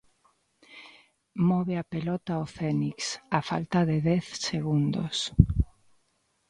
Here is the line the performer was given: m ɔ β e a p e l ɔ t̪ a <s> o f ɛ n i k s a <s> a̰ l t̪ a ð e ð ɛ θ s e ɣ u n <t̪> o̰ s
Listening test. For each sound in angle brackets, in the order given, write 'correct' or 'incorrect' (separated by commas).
incorrect, incorrect, incorrect